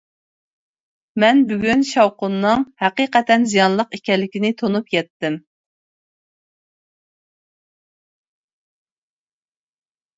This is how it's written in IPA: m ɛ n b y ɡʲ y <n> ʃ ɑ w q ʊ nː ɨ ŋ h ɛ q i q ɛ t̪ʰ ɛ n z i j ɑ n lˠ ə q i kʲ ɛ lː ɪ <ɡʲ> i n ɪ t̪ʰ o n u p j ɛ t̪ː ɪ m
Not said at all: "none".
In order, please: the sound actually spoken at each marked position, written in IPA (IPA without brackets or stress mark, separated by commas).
n, kʲ